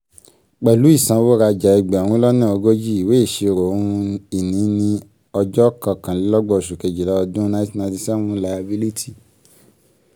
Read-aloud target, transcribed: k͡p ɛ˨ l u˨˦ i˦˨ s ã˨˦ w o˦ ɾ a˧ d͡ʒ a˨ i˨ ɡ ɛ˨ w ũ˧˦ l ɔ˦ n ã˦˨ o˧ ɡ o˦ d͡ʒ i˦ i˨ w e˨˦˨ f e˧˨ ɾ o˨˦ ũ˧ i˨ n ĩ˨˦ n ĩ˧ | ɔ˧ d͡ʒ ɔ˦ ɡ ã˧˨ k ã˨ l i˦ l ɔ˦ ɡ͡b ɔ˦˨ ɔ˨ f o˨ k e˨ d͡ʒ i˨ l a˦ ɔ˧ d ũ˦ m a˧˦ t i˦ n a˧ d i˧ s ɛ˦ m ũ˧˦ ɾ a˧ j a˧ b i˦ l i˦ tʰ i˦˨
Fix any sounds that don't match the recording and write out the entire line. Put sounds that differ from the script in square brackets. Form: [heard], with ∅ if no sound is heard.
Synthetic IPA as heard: k͡p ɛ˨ l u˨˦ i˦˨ s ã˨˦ w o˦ ɾ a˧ d͡ʒ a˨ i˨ [ɡ͡b] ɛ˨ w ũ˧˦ l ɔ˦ n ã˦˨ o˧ ɡ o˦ d͡ʒ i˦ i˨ w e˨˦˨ [ʃ] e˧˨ ɾ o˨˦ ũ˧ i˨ n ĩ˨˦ n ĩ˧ | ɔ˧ d͡ʒ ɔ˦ [k] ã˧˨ k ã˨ l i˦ l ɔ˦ ɡ͡b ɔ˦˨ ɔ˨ [ʃ] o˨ k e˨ d͡ʒ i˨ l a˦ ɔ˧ d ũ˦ [n] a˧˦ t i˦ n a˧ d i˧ s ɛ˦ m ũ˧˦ [l] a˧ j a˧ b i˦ l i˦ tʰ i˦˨